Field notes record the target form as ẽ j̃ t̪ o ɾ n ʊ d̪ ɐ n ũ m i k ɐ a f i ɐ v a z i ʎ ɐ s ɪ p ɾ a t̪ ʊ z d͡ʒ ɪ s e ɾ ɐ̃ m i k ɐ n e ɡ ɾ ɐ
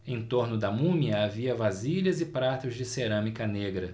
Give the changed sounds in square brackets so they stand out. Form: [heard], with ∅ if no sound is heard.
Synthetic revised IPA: ẽ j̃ t̪ o ɾ n ʊ d̪ ɐ [m] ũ m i [∅] ɐ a [v] i ɐ v a z i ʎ ɐ [z] ɪ p ɾ a t̪ ʊ z d͡ʒ ɪ s e ɾ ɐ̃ m i k ɐ n e ɡ ɾ ɐ